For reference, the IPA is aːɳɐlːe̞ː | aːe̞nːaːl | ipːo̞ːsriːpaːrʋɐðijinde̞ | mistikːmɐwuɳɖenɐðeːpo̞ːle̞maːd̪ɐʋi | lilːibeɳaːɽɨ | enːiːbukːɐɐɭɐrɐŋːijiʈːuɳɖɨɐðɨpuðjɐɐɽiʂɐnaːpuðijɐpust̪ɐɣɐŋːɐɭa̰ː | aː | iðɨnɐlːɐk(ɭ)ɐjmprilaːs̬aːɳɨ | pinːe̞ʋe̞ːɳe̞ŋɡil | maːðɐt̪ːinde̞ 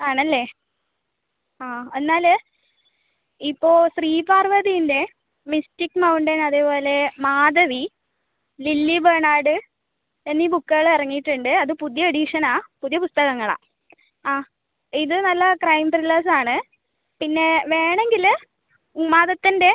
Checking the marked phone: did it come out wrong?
yes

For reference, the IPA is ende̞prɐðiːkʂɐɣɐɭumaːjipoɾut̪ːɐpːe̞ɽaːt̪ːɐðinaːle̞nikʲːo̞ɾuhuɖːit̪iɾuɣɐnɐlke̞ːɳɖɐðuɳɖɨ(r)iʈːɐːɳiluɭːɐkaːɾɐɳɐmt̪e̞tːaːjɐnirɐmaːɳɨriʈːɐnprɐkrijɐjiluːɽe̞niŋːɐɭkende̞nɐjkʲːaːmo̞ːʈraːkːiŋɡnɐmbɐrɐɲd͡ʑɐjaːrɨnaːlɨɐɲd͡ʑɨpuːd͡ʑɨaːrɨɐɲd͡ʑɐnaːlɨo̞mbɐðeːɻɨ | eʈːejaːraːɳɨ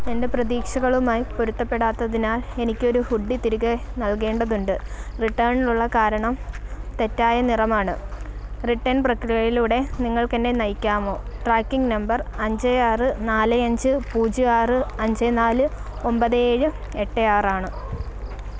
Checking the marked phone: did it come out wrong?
no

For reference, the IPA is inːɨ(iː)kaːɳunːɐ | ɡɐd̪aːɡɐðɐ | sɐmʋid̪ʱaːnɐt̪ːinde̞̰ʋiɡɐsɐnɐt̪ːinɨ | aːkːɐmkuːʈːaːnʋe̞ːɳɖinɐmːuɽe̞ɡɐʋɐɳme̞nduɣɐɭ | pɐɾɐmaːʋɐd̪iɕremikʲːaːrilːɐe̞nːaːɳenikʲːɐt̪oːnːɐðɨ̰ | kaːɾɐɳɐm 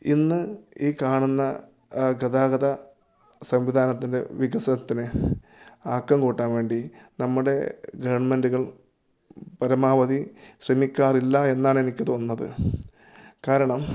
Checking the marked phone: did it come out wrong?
no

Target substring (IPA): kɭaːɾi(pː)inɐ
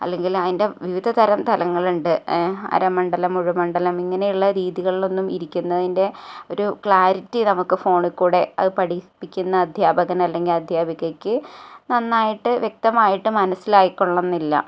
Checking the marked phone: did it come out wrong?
yes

